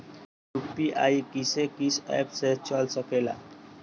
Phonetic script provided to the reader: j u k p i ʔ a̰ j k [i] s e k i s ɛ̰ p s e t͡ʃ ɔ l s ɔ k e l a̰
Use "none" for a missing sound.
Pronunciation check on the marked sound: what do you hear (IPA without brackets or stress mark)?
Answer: i